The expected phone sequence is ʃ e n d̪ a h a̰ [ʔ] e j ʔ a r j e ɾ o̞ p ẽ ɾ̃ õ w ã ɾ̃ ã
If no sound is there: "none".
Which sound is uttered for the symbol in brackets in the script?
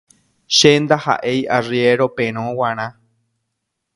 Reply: ʔ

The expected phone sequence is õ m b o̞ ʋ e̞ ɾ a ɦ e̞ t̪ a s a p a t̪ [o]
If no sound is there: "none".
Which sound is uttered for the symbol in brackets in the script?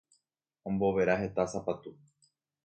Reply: u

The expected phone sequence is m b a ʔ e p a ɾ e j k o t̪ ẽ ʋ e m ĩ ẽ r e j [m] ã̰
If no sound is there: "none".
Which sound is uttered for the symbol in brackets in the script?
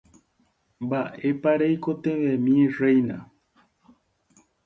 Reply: n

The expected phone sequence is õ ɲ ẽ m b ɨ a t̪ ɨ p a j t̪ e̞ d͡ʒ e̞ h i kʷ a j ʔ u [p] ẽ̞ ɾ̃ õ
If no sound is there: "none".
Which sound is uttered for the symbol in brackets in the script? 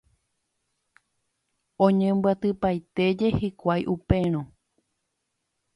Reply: p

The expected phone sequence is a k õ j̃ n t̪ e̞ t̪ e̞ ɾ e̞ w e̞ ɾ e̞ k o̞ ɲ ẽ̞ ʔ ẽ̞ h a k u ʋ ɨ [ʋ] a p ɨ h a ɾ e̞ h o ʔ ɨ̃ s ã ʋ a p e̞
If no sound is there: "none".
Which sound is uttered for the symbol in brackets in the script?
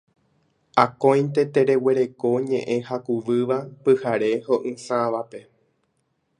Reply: ʋ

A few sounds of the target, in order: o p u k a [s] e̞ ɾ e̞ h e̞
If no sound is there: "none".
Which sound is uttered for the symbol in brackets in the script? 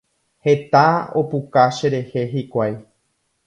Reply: ʃ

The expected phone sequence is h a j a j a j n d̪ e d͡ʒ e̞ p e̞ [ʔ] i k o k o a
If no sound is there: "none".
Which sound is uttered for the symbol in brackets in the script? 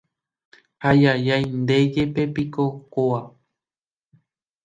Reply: p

